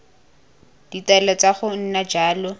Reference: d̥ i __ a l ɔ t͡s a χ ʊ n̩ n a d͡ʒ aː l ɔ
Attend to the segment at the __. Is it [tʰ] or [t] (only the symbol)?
t